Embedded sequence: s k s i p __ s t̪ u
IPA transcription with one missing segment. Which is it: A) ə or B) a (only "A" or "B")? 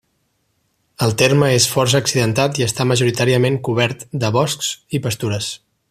A